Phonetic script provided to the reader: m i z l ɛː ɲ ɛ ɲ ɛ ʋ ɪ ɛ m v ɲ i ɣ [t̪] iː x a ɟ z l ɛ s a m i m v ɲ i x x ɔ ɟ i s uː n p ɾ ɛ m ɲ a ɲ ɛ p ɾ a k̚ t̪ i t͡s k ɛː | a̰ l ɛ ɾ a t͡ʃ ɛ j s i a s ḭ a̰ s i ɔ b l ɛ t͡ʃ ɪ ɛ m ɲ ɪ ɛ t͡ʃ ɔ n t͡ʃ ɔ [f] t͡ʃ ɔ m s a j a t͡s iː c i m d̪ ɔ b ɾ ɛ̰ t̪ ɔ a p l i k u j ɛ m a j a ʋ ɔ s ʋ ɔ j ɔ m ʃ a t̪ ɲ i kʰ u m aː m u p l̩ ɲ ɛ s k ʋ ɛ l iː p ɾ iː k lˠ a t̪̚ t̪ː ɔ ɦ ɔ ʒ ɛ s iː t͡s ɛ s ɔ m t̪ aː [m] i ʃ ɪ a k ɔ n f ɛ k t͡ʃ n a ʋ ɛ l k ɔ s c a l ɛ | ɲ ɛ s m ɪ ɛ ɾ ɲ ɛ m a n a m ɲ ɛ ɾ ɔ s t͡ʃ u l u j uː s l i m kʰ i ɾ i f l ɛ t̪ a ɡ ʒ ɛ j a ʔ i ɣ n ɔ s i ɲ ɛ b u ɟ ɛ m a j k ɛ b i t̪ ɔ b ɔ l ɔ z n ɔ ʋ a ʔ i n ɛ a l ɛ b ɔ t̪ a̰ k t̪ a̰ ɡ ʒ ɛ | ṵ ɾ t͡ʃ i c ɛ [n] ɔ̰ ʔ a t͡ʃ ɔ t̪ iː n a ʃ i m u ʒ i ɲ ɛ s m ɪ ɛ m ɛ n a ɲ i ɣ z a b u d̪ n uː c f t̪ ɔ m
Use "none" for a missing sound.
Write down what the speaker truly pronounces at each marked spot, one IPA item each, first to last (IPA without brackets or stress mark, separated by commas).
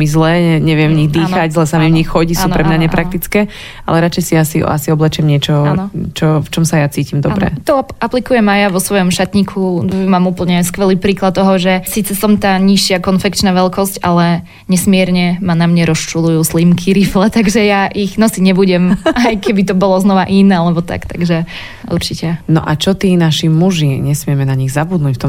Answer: d̪, f, ɲ, n